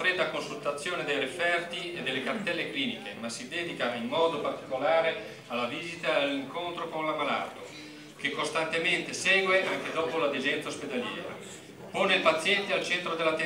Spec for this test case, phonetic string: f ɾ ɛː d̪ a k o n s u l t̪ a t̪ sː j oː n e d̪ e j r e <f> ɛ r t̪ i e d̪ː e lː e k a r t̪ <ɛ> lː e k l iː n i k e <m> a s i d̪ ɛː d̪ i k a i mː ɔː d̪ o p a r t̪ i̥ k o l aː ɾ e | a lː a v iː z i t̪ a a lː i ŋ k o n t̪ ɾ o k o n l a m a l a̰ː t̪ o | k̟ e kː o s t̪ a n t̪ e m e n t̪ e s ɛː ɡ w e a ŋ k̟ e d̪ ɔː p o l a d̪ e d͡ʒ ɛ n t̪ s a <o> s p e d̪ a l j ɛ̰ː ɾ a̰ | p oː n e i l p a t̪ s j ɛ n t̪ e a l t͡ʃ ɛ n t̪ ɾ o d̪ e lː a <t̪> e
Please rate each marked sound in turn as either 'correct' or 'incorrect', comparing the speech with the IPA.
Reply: correct, correct, correct, correct, correct

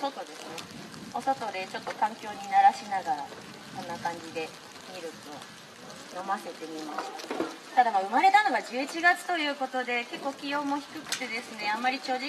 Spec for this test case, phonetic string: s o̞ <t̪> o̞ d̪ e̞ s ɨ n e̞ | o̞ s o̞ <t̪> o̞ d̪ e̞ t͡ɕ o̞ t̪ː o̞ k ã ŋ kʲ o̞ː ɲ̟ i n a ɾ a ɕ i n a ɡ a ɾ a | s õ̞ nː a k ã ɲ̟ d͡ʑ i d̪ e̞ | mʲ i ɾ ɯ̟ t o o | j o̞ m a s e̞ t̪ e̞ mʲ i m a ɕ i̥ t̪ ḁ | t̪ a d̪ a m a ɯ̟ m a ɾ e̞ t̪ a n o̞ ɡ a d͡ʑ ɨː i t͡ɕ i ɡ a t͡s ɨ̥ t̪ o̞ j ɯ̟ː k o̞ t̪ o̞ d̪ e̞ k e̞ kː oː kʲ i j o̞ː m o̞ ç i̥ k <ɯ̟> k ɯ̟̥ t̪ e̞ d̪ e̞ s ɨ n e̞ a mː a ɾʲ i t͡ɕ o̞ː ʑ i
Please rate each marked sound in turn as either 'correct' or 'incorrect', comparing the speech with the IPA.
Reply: correct, correct, correct

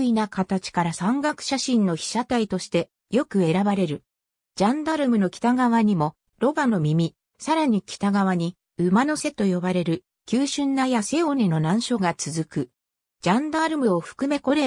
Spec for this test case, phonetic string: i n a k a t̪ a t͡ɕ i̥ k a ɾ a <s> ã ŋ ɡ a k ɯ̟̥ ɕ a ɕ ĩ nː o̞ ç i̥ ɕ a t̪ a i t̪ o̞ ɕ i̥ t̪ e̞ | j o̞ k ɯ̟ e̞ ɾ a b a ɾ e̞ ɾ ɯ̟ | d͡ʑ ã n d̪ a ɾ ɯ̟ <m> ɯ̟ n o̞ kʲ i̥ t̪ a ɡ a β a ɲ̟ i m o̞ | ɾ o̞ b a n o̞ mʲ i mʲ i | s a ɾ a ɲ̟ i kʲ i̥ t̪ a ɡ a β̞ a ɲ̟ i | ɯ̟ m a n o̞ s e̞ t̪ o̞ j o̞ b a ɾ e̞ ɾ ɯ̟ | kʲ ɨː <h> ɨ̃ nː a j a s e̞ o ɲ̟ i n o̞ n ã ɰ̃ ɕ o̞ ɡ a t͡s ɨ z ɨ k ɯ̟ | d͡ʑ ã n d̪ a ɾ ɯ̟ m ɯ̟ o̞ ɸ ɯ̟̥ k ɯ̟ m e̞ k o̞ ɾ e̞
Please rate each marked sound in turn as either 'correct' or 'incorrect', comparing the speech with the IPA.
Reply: correct, correct, incorrect: ɕ

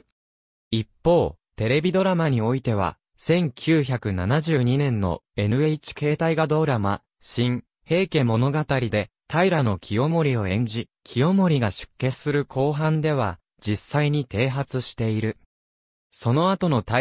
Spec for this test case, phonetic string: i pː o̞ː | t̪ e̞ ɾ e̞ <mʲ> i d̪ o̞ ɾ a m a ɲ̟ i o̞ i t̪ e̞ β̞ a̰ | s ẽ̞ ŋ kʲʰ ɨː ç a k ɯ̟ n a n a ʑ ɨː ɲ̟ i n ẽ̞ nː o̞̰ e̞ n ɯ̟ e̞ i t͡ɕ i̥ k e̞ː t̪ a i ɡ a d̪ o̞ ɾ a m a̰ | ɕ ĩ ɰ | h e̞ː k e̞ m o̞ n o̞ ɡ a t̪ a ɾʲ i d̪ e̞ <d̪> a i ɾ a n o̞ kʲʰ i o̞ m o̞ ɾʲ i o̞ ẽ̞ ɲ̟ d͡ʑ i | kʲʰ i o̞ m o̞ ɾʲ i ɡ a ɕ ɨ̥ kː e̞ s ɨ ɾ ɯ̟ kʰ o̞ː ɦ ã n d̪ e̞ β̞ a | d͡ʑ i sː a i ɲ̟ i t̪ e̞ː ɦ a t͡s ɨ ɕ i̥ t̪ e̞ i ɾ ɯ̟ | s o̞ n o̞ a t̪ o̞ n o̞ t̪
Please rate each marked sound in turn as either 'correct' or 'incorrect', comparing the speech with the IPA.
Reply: incorrect: bʲ, incorrect: t̪

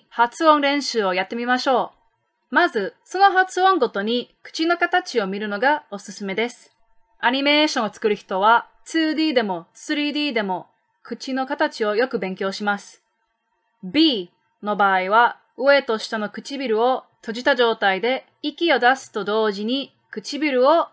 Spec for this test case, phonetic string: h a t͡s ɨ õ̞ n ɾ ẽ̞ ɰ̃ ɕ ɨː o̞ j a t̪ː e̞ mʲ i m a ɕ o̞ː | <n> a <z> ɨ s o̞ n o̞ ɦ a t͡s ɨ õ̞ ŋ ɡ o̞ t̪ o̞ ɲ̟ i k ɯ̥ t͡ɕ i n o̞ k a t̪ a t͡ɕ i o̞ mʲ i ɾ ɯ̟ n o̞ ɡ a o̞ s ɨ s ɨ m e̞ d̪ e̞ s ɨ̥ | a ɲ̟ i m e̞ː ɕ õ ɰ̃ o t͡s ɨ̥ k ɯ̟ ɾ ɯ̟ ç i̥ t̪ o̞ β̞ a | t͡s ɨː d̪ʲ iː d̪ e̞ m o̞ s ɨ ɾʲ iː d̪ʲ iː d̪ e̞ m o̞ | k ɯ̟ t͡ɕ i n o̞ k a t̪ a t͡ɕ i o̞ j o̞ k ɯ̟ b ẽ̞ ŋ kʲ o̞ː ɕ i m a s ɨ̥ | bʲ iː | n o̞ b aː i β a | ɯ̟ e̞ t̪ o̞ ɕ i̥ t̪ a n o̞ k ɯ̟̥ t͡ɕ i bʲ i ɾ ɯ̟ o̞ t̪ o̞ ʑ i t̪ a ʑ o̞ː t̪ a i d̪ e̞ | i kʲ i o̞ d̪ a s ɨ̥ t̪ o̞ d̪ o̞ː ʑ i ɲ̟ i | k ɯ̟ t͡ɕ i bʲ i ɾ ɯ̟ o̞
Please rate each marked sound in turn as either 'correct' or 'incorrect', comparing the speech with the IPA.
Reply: incorrect: m, correct

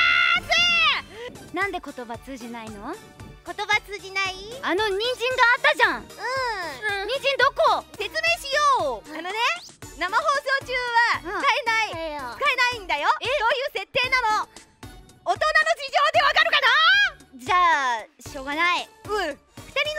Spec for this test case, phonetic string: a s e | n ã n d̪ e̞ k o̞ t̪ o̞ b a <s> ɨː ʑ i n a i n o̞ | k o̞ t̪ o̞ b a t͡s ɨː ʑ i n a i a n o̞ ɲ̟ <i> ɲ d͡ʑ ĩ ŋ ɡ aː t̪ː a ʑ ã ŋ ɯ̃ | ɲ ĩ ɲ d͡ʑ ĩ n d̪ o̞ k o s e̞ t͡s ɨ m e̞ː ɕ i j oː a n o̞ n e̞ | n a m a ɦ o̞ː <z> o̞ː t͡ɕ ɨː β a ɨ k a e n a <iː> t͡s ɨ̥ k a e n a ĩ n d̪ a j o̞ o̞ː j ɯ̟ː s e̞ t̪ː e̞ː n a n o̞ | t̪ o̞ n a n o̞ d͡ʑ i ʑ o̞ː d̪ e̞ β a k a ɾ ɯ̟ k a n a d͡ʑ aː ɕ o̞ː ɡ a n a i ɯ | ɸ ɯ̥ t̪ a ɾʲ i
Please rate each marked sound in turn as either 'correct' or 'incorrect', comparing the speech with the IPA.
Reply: incorrect: t͡s, incorrect: ĩ, incorrect: s, incorrect: i

